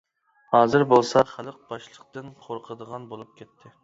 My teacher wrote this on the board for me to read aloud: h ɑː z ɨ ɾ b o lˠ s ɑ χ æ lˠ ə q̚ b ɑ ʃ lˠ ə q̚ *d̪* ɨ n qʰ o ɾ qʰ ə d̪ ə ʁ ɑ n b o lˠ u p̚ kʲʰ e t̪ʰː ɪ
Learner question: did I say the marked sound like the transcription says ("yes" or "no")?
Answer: no